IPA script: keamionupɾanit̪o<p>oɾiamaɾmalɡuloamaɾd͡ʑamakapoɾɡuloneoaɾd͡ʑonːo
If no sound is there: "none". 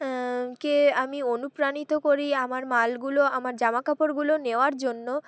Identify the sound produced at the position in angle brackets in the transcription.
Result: k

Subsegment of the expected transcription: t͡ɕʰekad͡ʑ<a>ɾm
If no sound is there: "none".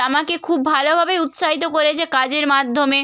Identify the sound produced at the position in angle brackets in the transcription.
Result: e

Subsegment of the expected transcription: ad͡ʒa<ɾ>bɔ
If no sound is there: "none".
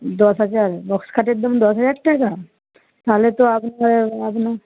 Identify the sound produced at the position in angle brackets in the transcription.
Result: ɾ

